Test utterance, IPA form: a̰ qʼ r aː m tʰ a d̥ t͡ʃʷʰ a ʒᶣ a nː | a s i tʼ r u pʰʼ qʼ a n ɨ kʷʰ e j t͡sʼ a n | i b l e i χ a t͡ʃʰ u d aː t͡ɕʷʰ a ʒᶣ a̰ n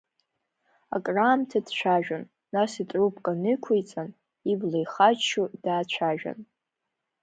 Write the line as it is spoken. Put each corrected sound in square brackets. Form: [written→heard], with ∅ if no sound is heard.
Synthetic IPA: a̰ [qʼ→kʼ] r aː m tʰ a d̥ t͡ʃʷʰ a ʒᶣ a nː | a s i tʼ r u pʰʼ [qʼ→kʼ] a n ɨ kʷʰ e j t͡sʼ a n | i b l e [i→j] χ a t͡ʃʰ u d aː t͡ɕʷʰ a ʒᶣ a̰ n